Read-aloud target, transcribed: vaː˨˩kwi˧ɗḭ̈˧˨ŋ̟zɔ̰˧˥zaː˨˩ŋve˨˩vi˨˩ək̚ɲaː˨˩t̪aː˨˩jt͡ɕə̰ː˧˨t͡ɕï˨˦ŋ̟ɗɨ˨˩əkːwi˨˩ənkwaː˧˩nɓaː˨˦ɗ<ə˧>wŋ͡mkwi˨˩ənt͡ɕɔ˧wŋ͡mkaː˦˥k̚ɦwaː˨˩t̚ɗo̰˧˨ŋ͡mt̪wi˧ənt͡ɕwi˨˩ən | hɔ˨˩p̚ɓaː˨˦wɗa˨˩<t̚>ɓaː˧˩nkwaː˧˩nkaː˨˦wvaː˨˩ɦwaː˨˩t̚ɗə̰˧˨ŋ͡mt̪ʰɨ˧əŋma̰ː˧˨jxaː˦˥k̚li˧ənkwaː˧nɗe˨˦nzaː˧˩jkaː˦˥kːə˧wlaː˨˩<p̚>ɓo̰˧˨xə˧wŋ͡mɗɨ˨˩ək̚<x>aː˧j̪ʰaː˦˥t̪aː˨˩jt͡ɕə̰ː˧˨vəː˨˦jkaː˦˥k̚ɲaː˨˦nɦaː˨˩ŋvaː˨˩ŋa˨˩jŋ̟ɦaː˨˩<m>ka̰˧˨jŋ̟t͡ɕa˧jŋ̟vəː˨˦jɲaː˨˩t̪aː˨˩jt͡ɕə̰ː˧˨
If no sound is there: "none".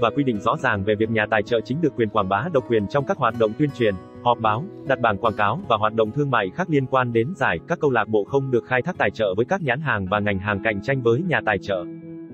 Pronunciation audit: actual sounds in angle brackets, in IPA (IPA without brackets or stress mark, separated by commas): ə˨˩, t̚, k̚, x, ŋ